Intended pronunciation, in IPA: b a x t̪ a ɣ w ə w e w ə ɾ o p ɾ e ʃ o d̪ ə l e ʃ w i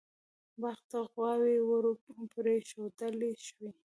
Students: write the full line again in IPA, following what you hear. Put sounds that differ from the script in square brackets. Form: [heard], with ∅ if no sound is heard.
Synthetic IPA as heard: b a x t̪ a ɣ w [ɑ] w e w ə ɾ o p ɾ e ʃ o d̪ ə l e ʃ w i